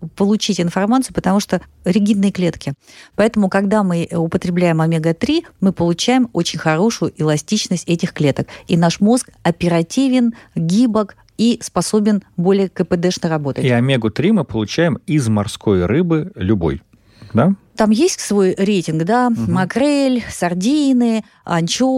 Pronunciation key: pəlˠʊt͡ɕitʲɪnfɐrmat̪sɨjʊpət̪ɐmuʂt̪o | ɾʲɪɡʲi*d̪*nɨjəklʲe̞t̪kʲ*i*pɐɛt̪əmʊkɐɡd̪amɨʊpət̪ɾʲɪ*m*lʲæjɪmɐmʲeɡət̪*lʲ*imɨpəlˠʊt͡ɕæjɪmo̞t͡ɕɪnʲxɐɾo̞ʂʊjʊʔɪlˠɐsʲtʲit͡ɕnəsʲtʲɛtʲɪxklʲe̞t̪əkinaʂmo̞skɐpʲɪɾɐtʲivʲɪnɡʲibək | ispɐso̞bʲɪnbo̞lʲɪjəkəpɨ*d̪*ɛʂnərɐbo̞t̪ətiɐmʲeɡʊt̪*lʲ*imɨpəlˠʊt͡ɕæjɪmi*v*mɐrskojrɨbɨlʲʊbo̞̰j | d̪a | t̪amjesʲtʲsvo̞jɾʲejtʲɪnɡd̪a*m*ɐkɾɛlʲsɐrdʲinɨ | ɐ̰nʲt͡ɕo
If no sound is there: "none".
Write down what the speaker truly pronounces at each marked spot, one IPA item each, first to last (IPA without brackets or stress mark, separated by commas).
d̪, ɪ, b, ɾʲ, d̪, ɾʲ, z, m